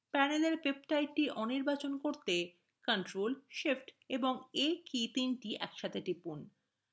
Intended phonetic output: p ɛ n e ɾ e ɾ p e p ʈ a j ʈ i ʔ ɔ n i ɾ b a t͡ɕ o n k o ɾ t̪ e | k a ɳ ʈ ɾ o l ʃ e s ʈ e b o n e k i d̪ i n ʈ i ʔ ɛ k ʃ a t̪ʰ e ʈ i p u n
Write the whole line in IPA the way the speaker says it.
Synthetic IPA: p ɛ n e l e ɾ p e p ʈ a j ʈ i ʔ ɔ n i ɾ b a t͡ɕ o n k o ɾ t̪ e | k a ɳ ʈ ɾ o l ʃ e f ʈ e b o ŋ e k i t̪ i n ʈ i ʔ ɛ k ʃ a t̪ʰ e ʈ i p u n